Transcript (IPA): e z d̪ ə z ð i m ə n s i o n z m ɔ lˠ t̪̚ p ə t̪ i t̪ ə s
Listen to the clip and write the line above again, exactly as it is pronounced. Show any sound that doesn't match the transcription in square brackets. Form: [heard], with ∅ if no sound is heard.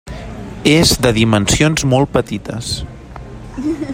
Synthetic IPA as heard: e z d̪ ə [∅] ð i m ə n s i o n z m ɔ lˠ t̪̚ p ə t̪ i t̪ ə s